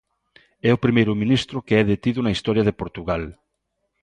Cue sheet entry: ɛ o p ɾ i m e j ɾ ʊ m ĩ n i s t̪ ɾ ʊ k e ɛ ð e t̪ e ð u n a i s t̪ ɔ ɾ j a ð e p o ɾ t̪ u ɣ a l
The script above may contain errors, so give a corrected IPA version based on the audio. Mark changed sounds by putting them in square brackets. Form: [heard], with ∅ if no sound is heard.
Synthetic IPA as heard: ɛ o p ɾ i m e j ɾ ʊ m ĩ n i s t̪ ɾ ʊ k e ɛ ð e t̪ [i] ð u n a i s t̪ ɔ ɾ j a ð e p o ɾ t̪ u ɣ a l